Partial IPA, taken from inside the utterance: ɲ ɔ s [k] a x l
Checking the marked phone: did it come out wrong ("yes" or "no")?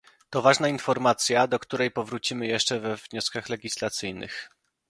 no